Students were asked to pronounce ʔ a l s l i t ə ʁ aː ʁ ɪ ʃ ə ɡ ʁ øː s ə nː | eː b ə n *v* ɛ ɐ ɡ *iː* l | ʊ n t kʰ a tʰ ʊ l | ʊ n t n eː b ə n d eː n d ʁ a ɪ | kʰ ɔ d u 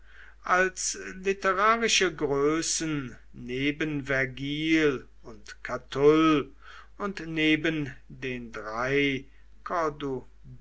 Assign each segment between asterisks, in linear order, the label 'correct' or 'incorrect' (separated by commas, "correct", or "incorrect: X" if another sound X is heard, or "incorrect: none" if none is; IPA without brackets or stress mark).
correct, correct